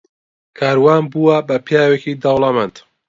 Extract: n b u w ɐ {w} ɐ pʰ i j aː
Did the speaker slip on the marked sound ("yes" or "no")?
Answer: yes